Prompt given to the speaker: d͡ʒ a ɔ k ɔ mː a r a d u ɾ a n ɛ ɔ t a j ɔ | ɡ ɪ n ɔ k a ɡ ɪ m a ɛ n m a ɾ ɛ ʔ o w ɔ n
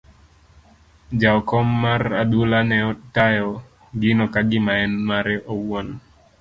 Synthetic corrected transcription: d͡ʒ a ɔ k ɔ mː a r a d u l a n ɛ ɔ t a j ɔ | ɡ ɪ n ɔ k a ɡ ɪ m a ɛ n m a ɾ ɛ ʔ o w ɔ n